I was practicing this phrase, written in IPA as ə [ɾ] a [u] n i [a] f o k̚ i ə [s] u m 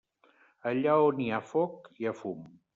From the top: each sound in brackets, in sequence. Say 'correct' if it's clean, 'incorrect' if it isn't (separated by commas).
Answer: incorrect, incorrect, correct, incorrect